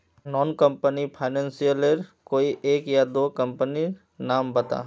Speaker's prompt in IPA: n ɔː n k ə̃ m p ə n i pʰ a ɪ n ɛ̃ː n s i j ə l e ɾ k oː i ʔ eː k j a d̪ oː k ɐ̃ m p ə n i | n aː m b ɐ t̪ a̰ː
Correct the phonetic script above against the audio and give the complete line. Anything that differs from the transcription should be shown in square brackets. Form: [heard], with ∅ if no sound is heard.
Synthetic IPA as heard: n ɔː n k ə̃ m p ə n i pʰ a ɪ n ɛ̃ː n s i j ə l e ɾ k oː i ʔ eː k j a d̪ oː k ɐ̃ m p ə n i | n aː m b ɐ t̪ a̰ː